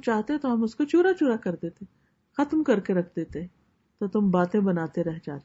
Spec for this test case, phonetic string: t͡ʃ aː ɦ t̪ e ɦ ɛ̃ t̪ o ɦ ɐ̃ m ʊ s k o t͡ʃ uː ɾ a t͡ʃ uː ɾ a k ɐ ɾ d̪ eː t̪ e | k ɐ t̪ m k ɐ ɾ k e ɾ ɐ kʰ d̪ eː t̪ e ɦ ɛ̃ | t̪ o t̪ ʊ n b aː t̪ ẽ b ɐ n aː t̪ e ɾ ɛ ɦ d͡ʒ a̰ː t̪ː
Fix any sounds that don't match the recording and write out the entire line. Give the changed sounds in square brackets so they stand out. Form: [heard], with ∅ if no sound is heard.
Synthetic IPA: t͡ʃ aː ɦ t̪ e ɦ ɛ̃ t̪ o ɦ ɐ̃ m ʊ s k o t͡ʃ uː ɾ a t͡ʃ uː ɾ a k ɐ ɾ d̪ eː t̪ e | [x] ɐ t̪ m k ɐ ɾ k e ɾ ɐ kʰ d̪ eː t̪ e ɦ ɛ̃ | t̪ o t̪ ʊ [m] b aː t̪ ẽ b ɐ n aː t̪ e ɾ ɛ ɦ d͡ʒ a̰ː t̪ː